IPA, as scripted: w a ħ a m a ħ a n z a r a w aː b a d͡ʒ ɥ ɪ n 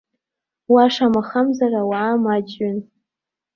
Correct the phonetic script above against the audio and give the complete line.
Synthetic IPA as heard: w a ʂ a m a χ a m z a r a w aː m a d͡ʒ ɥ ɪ n